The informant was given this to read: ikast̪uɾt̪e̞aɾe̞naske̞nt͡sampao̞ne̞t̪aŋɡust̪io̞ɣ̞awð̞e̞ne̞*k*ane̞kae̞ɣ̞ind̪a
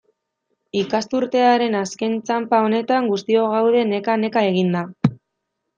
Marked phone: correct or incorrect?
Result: correct